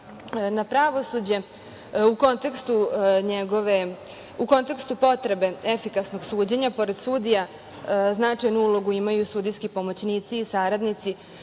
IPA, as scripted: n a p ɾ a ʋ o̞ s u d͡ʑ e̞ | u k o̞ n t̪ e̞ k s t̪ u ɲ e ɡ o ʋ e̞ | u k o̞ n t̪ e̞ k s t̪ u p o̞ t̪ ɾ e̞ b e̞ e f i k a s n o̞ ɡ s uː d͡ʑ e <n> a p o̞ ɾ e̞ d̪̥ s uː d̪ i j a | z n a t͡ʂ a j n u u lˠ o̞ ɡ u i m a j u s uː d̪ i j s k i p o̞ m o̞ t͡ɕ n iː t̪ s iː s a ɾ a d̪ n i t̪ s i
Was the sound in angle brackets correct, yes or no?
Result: no